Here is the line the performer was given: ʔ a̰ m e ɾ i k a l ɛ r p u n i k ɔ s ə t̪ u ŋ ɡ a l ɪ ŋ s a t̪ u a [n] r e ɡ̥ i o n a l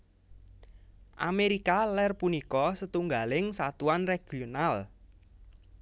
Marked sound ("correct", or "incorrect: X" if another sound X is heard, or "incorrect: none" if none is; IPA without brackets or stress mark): correct